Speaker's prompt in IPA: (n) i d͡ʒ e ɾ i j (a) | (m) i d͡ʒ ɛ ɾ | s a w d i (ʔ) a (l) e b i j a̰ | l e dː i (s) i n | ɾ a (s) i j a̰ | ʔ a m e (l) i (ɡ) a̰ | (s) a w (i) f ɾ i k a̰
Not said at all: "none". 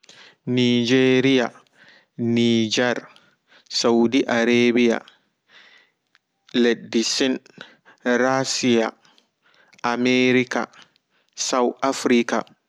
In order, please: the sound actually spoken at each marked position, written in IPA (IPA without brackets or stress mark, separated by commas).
n, a, n, ʔ, ɾ, s, s, ɾ, k, s, a